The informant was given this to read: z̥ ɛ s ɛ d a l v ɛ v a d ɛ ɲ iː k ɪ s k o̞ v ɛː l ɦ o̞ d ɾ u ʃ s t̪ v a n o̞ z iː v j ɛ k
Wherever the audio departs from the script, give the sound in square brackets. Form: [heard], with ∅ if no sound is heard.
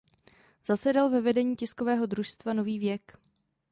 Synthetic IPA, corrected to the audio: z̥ [a] s ɛ d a l v ɛ v [ɛ] d ɛ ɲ iː [c] ɪ s k o̞ v ɛː [∅] ɦ o̞ d ɾ u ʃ s t̪ v a n o̞ [v] iː v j ɛ k

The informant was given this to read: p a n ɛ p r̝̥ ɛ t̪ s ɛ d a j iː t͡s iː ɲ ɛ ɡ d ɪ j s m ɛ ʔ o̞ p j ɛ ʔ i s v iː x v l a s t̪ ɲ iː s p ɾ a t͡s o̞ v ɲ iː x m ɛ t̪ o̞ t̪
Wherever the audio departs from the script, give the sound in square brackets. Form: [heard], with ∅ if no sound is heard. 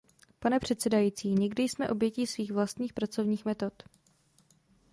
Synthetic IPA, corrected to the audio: p a n ɛ p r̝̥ ɛ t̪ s ɛ d a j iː t͡s iː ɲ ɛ ɡ d ɪ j s m ɛ ʔ o̞ [b] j ɛ [c] i s v iː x v l a s t̪ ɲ iː [x] p ɾ a t͡s o̞ v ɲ iː x m ɛ t̪ o̞ t̪

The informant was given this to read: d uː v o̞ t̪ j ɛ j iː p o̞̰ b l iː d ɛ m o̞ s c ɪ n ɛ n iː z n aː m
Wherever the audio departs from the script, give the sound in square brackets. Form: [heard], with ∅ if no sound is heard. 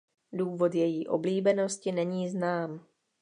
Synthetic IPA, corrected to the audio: d uː v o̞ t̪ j ɛ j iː [ʔ] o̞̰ b l iː [b] ɛ [n] o̞ s c ɪ n ɛ [ɲ] iː z n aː m

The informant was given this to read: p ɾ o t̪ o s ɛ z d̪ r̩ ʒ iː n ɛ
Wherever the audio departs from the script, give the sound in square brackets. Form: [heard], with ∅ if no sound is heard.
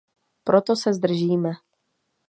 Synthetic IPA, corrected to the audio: p ɾ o t̪ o s ɛ z d̪ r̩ ʒ iː [m] ɛ

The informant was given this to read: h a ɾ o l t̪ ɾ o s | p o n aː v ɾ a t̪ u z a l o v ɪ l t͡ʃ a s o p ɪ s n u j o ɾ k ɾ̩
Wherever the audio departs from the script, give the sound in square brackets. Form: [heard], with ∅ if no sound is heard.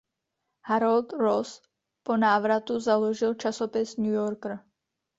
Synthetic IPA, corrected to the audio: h a ɾ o l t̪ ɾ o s | p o n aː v ɾ a t̪ u z a l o [ʒ] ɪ l t͡ʃ a s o p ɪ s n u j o ɾ k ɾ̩

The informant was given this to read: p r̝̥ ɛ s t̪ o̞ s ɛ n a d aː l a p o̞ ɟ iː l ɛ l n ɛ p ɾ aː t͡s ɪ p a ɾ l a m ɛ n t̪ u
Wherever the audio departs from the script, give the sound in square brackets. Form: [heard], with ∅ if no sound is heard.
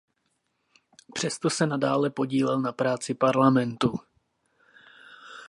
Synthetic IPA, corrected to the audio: p r̝̥ ɛ s t̪ o̞ s ɛ n a d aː l [ɛ] p o̞ ɟ iː l ɛ l n [a] p ɾ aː t͡s ɪ p a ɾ l a m ɛ n t̪ u

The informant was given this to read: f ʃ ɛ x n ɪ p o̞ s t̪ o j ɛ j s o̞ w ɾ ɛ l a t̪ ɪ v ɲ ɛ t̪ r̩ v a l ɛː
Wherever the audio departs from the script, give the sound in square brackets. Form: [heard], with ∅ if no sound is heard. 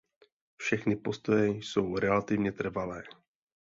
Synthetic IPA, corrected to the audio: f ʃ ɛ x n ɪ p o̞ s t̪ o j ɛ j s o̞ w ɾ ɛ l a t̪ ɪ v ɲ ɛ t̪ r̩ v a l ɛː

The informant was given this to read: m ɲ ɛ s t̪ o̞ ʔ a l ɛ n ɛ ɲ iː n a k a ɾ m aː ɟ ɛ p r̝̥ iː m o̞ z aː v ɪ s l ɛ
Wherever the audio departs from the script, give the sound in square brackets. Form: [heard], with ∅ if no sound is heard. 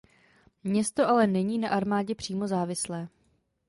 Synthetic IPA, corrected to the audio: m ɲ ɛ s t̪ o̞ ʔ a l ɛ n ɛ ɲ iː n a [ʔ] a ɾ m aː ɟ ɛ p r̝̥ iː m o̞ z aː v ɪ s l [ɛː]

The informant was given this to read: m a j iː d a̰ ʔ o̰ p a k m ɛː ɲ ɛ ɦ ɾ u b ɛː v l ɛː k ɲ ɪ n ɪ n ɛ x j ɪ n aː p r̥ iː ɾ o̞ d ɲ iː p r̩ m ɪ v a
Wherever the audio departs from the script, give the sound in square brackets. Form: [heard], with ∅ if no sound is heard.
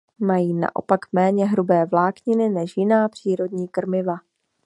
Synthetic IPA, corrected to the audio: m a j iː [n] a̰ ʔ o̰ p a k m ɛː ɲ ɛ ɦ ɾ u b ɛː v l [aː] k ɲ ɪ n ɪ n ɛ [ʃ] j ɪ n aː p r̥ iː ɾ o̞ d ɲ iː [k] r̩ m ɪ v a

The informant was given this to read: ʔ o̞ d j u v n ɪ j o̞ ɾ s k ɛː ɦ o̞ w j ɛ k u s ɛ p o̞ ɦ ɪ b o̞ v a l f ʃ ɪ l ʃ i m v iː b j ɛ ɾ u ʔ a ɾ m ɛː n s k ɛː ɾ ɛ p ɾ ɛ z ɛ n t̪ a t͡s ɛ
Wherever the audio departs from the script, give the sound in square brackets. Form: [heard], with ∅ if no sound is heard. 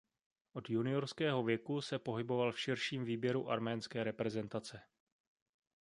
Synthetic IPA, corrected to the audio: ʔ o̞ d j u [∅] n ɪ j o̞ ɾ s k ɛː ɦ o̞ [v] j ɛ k u s ɛ p o̞ ɦ ɪ b o̞ v a l f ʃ ɪ [ɾ] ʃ [iː] m v iː b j ɛ ɾ u ʔ a ɾ m ɛː n s k ɛː ɾ ɛ p ɾ ɛ z ɛ n t̪ a t͡s ɛ

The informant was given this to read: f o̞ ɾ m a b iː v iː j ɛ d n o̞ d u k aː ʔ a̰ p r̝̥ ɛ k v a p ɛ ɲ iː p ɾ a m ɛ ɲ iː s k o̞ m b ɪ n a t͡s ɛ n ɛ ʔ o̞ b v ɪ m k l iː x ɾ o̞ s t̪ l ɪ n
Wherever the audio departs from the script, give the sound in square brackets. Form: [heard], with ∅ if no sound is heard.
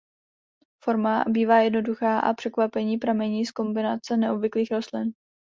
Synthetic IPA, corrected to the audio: f o̞ ɾ m a b iː v [aː] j ɛ d n o̞ d u [x] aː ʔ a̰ p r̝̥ ɛ k v a p ɛ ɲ iː p ɾ a m ɛ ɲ iː s k o̞ m b ɪ n a t͡s ɛ n ɛ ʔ o̞ b v ɪ [∅] k l iː x ɾ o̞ s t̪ l ɪ n

